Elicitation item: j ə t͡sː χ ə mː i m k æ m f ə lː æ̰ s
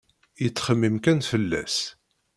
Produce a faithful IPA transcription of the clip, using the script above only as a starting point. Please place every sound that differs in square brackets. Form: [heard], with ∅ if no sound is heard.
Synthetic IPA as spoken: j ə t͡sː χ ə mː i m k æ [n] f ə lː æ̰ s

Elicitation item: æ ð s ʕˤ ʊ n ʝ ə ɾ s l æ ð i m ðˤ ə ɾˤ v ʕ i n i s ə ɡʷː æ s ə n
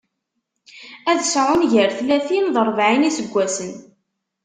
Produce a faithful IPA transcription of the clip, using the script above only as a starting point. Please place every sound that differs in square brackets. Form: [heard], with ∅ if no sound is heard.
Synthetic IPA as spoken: æ ð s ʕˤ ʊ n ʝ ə ɾ [θ] l æ [θ] i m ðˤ ə ɾˤ v ʕ i n i s ə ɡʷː æ s ə n

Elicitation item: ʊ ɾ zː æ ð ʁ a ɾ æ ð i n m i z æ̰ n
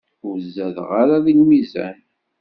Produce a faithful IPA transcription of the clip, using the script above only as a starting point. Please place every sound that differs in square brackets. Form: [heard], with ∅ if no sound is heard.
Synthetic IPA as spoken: ʊ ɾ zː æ ð ʁ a ɾ [a] ð i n m i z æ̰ n

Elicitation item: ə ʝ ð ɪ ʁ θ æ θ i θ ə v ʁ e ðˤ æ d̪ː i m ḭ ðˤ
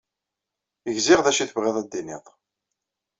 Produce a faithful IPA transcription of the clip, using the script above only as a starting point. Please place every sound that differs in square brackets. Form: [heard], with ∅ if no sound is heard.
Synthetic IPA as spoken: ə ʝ [z] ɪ ʁ [ð] æ [ʃ] i θ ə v ʁ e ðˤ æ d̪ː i [n] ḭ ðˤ

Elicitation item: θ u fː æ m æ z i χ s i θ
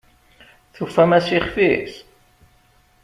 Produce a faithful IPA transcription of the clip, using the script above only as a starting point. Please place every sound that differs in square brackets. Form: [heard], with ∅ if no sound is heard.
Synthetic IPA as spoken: θ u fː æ m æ [s] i χ [f] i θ

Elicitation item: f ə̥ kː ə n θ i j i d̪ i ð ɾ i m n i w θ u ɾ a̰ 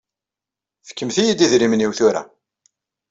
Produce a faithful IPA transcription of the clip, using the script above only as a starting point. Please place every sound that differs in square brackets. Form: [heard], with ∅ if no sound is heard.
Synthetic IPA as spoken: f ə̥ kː ə [m] θ i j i d̪ i ð ɾ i m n i w θ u ɾ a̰

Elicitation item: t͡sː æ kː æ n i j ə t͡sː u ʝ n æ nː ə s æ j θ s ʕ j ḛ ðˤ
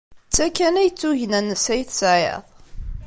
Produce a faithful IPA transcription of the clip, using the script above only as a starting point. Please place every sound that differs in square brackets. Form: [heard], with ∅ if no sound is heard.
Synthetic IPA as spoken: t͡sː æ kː æ n [æ] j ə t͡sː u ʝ n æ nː ə s æ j θ s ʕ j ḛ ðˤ

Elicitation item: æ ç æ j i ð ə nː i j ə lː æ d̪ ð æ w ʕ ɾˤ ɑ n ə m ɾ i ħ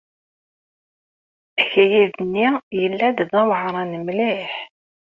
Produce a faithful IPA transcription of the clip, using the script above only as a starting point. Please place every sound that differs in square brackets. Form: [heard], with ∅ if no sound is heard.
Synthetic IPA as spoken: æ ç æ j i ð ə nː i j ə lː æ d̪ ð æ w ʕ ɾˤ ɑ n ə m [l] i ħ

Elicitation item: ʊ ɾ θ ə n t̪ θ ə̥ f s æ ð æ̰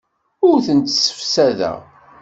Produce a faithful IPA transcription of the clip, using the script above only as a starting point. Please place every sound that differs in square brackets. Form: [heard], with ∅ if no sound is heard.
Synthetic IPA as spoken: ʊ ɾ θ ə n t̪ [s] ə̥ f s æ ð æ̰

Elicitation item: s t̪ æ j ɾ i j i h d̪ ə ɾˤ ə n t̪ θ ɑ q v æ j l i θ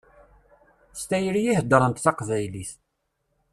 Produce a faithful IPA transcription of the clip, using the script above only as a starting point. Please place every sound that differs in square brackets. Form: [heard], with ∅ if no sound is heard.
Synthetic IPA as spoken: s t̪ æ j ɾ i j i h d̪ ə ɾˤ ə n t̪ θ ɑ q v æ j l i θ

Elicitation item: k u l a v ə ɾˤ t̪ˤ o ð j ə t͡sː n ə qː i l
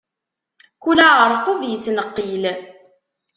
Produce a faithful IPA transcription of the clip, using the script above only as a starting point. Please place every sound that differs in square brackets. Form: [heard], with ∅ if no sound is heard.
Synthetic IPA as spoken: k u l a [ʁ] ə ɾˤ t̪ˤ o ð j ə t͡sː n ə qː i l

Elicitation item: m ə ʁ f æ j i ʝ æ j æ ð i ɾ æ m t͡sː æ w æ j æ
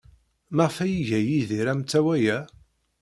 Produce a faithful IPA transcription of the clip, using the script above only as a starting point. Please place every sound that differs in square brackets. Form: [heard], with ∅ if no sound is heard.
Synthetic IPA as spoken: m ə ʁ f æ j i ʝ æ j [i] ð i ɾ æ m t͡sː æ w æ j æ

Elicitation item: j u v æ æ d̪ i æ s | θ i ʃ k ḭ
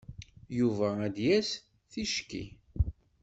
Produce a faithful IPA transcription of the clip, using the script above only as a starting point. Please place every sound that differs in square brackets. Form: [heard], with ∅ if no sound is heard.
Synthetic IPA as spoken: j u v æ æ d̪ [j] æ s | θ i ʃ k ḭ

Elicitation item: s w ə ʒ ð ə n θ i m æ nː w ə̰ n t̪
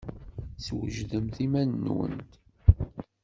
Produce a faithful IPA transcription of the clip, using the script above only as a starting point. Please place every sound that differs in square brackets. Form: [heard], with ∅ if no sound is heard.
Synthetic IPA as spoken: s w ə ʒ ð ə [m] θ i m æ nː w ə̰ n t̪

